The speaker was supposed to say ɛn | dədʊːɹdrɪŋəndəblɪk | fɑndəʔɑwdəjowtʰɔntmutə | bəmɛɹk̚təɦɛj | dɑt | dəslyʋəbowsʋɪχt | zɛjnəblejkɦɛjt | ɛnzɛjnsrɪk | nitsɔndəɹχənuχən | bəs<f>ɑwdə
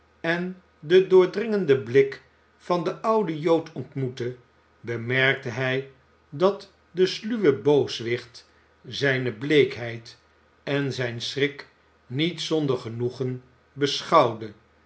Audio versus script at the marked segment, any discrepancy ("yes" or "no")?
yes